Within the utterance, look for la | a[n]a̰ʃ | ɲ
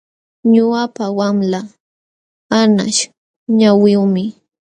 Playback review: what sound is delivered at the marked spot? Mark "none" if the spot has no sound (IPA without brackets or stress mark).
n